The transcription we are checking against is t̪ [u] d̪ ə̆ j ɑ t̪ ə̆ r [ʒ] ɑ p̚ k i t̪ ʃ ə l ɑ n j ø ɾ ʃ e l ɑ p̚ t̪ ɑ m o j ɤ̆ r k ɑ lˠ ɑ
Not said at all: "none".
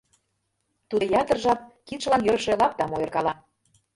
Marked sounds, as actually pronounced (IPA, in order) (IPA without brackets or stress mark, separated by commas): u, ʒ